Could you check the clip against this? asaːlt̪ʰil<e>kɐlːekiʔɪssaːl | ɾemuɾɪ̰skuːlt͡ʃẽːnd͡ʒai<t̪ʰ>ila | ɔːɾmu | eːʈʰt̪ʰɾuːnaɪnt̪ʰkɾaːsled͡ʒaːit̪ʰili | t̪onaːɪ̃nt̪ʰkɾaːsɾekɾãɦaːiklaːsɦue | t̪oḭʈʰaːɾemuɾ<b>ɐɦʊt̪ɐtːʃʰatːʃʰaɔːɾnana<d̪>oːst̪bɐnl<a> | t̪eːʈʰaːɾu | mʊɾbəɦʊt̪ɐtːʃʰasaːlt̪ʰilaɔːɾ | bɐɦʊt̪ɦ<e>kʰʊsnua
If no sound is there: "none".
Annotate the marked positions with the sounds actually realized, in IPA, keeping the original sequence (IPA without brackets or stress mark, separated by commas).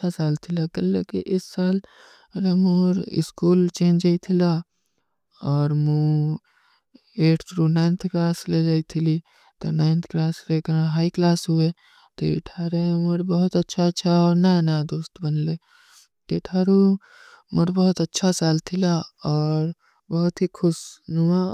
a, t̪ʰ, b, d̪, e, i